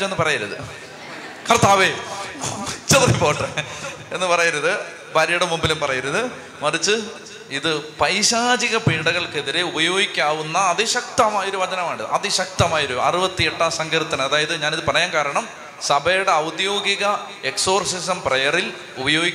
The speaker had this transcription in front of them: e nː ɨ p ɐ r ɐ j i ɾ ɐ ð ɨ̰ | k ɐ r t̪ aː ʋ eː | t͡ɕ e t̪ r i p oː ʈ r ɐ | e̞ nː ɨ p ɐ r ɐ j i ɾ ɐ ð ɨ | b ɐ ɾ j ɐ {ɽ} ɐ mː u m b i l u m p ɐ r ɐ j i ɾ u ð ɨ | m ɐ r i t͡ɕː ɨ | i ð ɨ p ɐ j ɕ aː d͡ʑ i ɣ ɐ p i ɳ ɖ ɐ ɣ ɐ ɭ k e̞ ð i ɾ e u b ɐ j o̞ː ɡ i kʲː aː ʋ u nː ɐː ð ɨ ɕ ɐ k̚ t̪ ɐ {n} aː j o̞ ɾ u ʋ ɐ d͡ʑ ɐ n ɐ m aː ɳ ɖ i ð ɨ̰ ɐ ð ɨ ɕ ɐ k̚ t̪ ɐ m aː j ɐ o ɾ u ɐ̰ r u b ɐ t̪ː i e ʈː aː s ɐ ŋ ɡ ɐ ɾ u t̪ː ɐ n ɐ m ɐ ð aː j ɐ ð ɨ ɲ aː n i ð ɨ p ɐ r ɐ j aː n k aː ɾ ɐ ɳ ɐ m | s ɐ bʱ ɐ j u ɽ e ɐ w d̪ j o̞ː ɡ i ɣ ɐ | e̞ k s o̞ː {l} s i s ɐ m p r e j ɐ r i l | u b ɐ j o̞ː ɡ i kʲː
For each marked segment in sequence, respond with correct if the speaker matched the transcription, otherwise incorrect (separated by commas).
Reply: correct, incorrect, incorrect